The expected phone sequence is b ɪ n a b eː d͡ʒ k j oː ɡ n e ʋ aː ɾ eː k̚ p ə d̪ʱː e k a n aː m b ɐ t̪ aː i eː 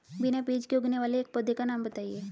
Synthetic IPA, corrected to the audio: b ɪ n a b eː d͡ʒ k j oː ɡ n e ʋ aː l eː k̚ p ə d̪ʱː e k a n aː m b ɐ t̪ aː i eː